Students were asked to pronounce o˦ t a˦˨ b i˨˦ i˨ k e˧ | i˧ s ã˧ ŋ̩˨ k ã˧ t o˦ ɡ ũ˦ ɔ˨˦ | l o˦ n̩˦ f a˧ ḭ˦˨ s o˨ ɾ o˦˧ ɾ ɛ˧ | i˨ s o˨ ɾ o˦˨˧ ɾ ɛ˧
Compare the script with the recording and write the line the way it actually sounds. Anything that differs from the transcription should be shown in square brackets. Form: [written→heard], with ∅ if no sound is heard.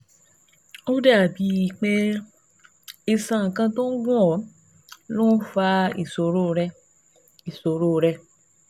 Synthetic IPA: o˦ [t→d] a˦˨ b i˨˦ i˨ [k→k͡p] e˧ | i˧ s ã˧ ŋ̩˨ k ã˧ t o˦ ɡ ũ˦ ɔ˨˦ | l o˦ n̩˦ f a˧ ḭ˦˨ s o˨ ɾ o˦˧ ɾ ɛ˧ | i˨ s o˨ ɾ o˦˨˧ ɾ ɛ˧